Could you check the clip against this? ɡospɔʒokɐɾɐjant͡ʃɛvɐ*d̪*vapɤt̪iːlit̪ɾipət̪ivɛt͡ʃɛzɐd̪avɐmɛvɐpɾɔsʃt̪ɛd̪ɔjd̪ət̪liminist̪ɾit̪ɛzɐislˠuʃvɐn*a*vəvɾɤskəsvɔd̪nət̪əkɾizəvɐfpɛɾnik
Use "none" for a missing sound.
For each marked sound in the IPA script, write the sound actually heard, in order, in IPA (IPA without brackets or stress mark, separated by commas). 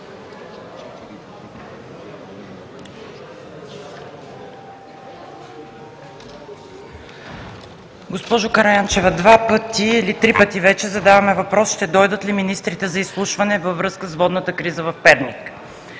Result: d̪, ɛ